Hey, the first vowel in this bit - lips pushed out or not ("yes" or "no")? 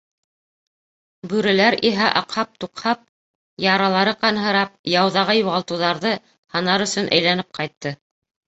yes